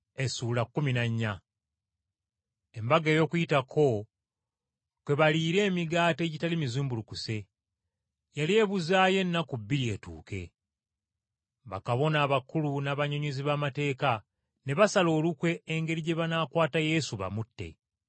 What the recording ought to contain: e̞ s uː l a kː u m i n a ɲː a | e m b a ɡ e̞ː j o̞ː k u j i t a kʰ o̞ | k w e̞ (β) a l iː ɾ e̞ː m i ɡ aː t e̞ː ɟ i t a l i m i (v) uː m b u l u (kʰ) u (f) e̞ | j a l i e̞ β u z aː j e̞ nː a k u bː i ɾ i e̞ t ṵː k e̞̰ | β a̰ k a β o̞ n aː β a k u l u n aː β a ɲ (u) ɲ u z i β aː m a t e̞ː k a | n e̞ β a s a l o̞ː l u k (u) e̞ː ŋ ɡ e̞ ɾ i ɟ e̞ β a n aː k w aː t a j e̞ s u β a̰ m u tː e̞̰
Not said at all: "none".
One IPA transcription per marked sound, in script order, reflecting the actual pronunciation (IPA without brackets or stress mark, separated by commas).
β, z, k, s, o, w